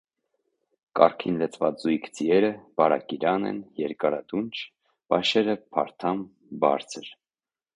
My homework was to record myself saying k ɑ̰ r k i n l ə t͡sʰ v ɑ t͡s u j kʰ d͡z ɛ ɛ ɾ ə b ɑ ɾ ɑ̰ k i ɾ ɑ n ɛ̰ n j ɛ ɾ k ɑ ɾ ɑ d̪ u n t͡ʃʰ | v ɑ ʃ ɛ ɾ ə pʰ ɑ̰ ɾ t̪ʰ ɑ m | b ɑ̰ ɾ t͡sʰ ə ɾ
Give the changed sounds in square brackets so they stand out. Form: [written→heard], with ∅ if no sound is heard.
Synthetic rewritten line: k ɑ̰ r [k→kʰ] i n l ə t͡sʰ v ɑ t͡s u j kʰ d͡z [ɛ→i] ɛ ɾ ə b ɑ ɾ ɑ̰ k i ɾ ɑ n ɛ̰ n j ɛ ɾ k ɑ ɾ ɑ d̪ u n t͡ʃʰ | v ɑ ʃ ɛ ɾ ə pʰ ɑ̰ ɾ t̪ʰ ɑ m | b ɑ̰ ɾ t͡sʰ ə ɾ